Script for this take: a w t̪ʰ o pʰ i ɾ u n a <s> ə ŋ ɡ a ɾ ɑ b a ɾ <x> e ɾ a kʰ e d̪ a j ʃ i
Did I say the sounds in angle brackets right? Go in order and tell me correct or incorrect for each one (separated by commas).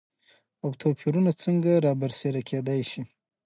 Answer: incorrect, incorrect